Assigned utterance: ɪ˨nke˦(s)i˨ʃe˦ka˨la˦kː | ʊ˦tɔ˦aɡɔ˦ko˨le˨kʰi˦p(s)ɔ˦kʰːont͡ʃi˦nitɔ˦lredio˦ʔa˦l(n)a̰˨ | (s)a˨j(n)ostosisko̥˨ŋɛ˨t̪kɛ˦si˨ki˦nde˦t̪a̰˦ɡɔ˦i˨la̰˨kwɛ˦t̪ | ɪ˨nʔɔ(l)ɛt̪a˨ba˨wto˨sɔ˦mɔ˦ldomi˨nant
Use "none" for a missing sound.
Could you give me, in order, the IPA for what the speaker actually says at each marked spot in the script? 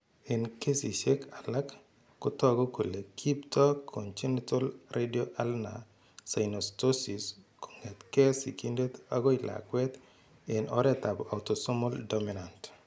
s, t, n, s, n, ɾ

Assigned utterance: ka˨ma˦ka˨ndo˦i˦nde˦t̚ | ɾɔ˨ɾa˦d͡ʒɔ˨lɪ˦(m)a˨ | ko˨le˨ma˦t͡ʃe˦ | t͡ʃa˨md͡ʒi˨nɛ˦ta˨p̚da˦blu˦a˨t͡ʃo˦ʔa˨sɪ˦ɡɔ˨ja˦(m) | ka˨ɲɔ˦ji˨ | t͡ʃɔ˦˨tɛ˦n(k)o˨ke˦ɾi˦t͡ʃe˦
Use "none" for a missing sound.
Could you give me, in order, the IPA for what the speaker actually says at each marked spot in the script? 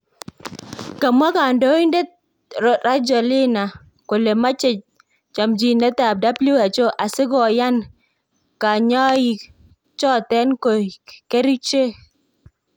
n, n, k

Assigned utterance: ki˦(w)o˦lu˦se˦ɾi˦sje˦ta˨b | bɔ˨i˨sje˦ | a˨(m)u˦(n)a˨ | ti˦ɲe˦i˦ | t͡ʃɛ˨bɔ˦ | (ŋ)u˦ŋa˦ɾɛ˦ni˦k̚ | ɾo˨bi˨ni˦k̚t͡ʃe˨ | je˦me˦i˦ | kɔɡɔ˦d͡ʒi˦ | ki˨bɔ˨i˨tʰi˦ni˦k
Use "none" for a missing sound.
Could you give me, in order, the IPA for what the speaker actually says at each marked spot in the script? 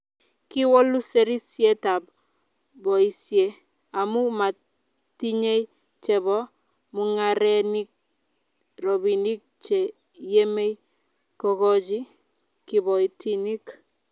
w, m, m, m

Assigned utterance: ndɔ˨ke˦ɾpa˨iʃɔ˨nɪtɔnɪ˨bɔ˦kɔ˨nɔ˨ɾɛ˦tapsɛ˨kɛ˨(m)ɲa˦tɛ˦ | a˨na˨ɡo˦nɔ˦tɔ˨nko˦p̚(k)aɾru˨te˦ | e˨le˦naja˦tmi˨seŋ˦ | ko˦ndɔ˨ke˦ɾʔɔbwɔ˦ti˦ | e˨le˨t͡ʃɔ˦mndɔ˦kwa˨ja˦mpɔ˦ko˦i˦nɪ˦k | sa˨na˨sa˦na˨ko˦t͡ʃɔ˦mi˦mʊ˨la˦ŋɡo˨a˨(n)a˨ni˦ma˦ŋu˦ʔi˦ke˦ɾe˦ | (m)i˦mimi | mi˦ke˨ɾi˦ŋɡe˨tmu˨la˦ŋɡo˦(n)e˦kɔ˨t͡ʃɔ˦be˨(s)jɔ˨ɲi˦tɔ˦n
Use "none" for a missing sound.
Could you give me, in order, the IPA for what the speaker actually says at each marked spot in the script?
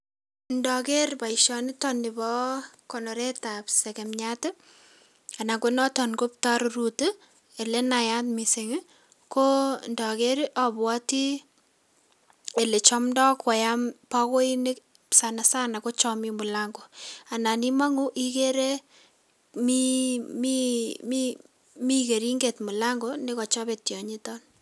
m, t, n, m, n, t

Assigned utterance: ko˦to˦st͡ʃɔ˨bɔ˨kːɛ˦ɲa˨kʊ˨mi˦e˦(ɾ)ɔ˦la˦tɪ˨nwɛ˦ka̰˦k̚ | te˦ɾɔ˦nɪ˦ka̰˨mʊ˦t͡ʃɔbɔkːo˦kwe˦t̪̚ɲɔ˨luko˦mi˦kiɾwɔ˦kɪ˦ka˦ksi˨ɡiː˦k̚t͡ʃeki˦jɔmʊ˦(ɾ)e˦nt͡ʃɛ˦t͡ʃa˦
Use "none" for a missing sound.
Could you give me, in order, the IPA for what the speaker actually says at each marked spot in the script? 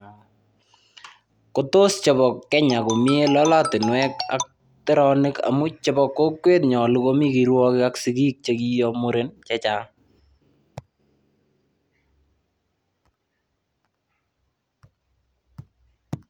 l, ɾ

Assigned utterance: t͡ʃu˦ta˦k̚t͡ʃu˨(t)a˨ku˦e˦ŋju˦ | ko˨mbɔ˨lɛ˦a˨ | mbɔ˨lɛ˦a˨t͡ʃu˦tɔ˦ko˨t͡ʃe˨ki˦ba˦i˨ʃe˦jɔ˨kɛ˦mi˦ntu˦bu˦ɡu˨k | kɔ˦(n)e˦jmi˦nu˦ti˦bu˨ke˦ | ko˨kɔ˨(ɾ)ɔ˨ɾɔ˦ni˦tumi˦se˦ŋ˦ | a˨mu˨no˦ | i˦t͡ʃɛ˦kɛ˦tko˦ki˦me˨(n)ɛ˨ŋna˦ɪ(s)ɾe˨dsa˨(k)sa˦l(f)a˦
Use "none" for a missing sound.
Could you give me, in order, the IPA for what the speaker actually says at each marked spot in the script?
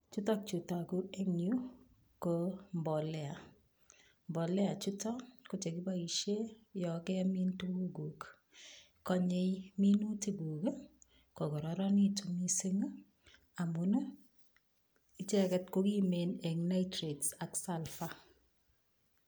t, ɲ, ɾ, n, t, k, f

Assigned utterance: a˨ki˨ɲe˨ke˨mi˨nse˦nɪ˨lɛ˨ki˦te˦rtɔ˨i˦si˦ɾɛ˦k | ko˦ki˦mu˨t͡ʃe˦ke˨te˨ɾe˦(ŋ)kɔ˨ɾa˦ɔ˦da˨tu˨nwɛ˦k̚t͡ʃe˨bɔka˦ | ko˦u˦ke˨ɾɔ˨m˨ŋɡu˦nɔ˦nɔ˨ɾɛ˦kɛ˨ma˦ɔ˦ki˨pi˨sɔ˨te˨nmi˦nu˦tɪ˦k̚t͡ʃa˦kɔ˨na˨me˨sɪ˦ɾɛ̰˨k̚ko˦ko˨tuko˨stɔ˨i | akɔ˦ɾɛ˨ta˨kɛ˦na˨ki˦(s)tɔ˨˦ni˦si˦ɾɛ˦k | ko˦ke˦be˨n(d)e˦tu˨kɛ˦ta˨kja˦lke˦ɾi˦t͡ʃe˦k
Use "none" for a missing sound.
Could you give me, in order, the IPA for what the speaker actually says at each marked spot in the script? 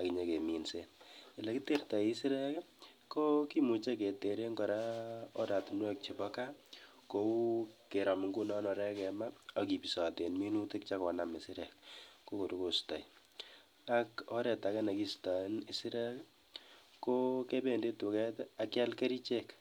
ŋ, s, d

